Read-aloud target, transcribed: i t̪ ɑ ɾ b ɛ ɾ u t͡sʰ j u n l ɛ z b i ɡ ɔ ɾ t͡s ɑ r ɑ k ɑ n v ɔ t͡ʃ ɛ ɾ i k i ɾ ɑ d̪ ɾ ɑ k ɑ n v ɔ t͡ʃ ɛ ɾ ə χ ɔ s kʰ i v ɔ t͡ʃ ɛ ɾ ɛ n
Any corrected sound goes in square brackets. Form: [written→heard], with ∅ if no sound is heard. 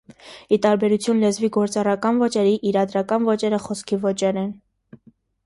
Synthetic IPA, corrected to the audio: i t̪ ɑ ɾ b ɛ ɾ u t͡sʰ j u n l ɛ z [b→v] i ɡ ɔ ɾ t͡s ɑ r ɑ k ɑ n v ɔ t͡ʃ ɛ ɾ i [k→ʔ] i ɾ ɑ d̪ ɾ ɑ k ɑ n v ɔ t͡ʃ ɛ ɾ ə χ ɔ s kʰ i v ɔ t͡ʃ ɛ ɾ ɛ n